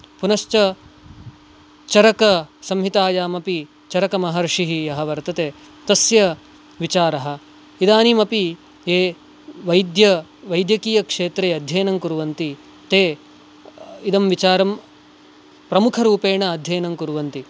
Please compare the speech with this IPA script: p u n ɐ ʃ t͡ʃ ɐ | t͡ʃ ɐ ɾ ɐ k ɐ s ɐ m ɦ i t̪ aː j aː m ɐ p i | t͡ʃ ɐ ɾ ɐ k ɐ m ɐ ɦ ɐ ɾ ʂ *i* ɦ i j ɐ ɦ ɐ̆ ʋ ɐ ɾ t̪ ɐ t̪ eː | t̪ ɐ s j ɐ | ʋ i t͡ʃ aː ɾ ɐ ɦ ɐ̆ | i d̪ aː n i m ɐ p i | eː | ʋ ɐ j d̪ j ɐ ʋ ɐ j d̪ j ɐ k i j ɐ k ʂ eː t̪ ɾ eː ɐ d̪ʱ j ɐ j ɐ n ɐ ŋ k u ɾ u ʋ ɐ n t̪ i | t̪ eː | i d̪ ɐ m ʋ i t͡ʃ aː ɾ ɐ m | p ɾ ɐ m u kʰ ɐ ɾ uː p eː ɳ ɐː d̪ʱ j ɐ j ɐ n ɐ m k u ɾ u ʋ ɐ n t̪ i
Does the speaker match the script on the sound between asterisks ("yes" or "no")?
yes